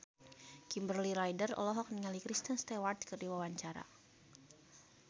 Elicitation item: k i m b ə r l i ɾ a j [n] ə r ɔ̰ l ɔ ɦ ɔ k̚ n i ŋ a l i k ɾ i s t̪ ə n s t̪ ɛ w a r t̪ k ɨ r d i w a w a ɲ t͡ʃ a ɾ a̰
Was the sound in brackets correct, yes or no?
no